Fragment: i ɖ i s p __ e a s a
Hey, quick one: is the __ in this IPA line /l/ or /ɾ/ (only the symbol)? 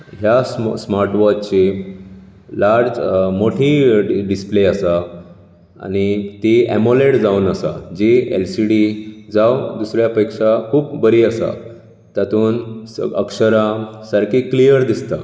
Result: l